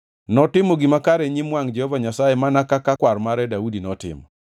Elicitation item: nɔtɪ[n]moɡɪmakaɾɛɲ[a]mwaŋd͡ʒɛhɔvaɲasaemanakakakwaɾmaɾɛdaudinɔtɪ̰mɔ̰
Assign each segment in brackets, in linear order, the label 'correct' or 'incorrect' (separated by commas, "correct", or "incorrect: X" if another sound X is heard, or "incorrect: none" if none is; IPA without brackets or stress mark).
incorrect: none, incorrect: i